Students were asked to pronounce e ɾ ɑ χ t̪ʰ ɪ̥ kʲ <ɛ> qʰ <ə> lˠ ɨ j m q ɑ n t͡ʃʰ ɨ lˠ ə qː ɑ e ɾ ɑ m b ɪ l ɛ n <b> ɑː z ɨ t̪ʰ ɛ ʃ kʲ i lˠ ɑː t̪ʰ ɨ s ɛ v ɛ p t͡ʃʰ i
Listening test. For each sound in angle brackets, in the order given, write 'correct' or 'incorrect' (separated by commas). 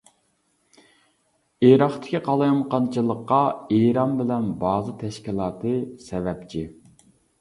incorrect, incorrect, correct